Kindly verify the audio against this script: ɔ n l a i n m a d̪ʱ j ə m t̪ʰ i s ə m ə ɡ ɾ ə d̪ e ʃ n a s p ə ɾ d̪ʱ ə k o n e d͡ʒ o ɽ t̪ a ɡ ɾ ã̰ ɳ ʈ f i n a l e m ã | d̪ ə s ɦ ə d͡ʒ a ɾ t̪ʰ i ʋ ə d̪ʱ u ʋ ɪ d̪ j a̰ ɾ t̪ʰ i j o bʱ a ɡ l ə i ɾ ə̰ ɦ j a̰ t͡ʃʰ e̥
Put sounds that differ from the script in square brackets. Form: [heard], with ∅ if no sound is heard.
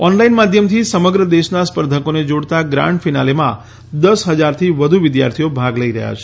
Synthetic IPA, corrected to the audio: ɔ n l a i n m a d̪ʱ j ə m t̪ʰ i s ə m ə ɡ ɾ ə d̪ e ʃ n a s p ə ɾ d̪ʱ ə k o n e d͡ʒ o ɽ t̪ a ɡ ɾ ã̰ ɳ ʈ f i n a l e m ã | d̪ ə s ɦ ə d͡ʒ a ɾ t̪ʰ i ʋ ə d̪ʱ u ʋ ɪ d̪ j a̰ ɾ t̪ʰ i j o bʱ a ɡ l ə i ɾ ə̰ ɦ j a̰ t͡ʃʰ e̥